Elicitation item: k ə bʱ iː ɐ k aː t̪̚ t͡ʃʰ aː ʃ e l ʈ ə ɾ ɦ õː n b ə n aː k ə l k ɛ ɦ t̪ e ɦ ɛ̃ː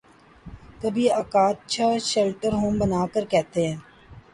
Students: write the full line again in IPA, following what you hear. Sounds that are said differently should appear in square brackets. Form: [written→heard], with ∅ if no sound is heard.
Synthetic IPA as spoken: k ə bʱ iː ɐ k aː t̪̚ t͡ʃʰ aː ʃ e l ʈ ə ɾ ɦ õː [n→m] b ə n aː k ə [l→ɾ] k ɛ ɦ t̪ e ɦ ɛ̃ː